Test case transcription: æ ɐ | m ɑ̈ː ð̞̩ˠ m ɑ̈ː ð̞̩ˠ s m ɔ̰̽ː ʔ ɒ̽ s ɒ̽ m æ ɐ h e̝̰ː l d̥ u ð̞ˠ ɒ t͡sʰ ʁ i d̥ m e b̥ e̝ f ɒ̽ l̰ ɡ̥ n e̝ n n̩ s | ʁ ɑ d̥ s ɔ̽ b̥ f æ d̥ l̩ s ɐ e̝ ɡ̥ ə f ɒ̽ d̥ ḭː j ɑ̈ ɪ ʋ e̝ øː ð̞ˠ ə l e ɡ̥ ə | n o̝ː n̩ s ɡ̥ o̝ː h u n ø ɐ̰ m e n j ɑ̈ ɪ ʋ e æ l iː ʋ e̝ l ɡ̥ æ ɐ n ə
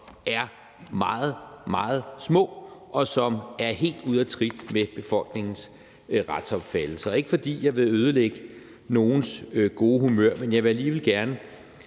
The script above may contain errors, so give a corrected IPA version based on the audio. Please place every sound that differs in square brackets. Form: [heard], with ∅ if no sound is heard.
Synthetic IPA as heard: æ ɐ | m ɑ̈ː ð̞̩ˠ m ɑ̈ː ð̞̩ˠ s m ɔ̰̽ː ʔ ɒ̽ s ɒ̽ m æ ɐ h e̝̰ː l d̥ u ð̞ˠ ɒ t͡sʰ ʁ i d̥ m e b̥ e̝ f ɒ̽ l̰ ɡ̥ n e̝ [ŋ] n̩ s | ʁ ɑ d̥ s [ɒ̽] b̥ f æ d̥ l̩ s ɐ e̝ ɡ̥ ə f ɒ̽ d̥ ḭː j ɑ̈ ɪ ʋ e̝ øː ð̞ˠ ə l e ɡ̥ ə | n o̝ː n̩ s ɡ̥ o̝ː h u [m] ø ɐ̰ m e n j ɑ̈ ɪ ʋ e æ l iː ʋ e̝ l ɡ̥ æ ɐ n ə